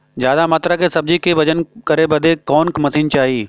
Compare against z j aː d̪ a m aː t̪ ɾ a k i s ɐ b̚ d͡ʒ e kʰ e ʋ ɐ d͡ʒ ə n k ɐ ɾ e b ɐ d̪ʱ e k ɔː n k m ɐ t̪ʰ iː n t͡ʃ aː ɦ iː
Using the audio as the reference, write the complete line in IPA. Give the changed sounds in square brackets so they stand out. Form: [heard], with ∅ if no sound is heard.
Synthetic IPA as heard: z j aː d̪ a m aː t̪ ɾ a k [e] s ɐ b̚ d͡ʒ [i] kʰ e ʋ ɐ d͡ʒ ə n k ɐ ɾ e b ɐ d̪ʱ e k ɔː n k m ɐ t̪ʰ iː n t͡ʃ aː ɦ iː